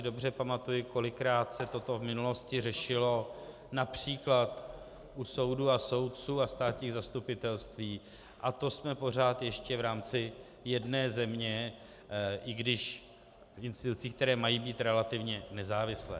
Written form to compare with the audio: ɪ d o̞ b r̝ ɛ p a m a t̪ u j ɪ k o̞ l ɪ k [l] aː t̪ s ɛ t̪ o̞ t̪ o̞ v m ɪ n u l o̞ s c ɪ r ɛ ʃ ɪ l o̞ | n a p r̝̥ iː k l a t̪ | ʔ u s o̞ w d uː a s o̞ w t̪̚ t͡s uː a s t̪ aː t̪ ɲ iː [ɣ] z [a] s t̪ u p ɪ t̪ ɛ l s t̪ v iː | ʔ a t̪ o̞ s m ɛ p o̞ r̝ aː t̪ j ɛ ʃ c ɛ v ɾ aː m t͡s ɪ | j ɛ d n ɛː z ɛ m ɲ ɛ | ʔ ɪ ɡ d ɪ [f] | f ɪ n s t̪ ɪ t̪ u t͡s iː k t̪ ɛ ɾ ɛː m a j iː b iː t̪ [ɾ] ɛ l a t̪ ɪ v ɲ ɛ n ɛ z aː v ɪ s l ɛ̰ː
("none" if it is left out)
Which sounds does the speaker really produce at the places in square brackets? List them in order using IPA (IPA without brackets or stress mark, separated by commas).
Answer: ɾ, ɣ, a, ʃ, ɾ